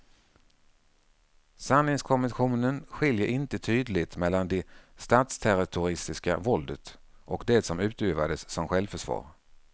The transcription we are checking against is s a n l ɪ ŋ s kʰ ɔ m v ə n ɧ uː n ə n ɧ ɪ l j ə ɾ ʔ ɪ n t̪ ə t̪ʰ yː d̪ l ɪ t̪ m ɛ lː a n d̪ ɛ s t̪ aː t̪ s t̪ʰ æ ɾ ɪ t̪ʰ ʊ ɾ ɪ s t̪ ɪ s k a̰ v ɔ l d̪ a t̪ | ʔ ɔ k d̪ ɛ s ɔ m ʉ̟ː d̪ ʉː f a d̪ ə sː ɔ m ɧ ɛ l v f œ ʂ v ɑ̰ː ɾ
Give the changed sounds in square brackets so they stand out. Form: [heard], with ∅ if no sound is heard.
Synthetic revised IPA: s a n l ɪ ŋ s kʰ ɔ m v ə n ɧ uː n ə n ɧ ɪ l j ə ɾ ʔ ɪ n t̪ ə t̪ʰ yː d̪ l ɪ t̪ m ɛ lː a n d̪ ɛ s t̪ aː t̪ s t̪ʰ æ ɾ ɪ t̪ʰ ʊ ɾ ɪ s t̪ ɪ s k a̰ v ɔ l d̪ [ə] t̪ | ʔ ɔ k d̪ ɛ s ɔ m ʉ̟ː [t̪] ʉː [v] a d̪ ə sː ɔ m ɧ ɛ l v f œ ʂ v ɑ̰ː ɾ